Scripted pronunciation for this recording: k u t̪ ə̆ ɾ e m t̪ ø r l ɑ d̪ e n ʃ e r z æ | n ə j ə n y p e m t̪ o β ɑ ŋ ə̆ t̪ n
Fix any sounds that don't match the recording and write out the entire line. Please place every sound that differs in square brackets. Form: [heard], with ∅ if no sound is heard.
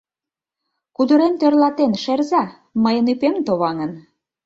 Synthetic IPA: k u [d̪] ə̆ ɾ e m t̪ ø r l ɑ [t̪] e n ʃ e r z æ | [m] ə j ə n y p e m t̪ o β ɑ ŋ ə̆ [∅] n